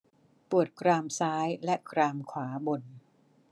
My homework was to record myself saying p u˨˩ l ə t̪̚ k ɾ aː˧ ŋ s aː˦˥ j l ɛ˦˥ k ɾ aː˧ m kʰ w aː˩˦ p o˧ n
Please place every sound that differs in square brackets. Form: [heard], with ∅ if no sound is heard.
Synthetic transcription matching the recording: p u˨˩ [∅] ə t̪̚ k ɾ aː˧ [m] s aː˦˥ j l ɛ˦˥ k ɾ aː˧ m kʰ w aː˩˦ [b] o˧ n